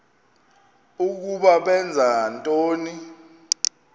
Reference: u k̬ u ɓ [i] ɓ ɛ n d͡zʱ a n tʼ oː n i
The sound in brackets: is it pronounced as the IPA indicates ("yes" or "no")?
no